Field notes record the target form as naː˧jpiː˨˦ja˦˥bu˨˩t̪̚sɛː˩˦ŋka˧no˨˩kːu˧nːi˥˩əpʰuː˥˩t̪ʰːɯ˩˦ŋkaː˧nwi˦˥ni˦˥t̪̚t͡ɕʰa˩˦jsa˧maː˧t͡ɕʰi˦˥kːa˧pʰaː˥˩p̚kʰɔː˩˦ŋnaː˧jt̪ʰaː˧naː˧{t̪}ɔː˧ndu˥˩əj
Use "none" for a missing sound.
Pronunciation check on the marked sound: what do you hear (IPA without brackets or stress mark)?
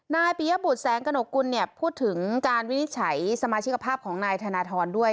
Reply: t̪ʰ